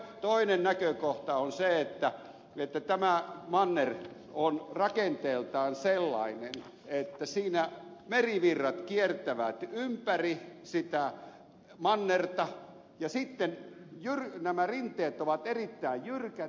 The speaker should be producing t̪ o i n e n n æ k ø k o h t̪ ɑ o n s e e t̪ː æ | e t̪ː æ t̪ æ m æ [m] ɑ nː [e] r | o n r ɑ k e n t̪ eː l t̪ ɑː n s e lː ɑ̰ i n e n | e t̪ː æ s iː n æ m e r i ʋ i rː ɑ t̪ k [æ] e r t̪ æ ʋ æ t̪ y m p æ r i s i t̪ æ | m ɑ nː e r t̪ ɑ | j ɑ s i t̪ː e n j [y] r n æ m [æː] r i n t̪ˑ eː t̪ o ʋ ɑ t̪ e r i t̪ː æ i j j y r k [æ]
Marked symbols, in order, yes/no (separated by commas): yes, yes, no, yes, no, yes